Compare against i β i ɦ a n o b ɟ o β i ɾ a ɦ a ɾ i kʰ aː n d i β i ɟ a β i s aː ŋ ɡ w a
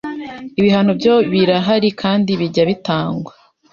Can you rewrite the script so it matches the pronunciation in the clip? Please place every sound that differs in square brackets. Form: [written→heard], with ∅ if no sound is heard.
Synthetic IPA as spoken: i β i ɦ a n o b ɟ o β i ɾ a ɦ a ɾ i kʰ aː n d i β i ɟ a β i [s→t] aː ŋ ɡ w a